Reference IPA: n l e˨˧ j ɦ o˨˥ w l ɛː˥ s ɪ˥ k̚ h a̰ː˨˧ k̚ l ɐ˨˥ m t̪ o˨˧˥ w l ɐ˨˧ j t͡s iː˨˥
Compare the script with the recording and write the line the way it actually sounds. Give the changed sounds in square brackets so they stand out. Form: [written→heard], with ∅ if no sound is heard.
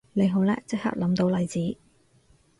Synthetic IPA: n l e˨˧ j ɦ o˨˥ w l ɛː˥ [s→t͡s] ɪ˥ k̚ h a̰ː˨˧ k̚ l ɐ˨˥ m t̪ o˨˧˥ w l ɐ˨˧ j t͡s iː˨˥